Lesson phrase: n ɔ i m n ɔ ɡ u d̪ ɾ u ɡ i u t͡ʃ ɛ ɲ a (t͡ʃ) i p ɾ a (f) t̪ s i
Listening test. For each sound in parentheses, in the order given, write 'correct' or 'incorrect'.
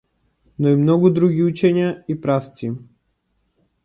incorrect, correct

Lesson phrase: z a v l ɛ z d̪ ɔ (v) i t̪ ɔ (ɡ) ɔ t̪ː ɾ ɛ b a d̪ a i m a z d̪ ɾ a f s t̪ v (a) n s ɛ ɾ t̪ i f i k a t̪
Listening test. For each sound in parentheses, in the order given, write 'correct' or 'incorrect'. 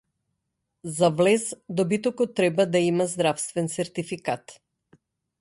incorrect, incorrect, incorrect

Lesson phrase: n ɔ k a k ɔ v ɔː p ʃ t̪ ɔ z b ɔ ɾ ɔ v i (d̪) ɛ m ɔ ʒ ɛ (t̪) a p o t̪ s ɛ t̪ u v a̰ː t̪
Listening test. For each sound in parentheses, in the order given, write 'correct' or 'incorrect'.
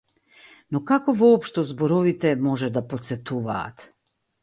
incorrect, incorrect

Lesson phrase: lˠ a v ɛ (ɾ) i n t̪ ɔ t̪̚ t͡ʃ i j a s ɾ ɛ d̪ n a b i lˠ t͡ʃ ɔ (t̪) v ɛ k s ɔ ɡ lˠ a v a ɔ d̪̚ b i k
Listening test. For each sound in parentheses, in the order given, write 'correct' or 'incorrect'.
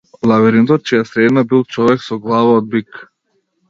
correct, incorrect

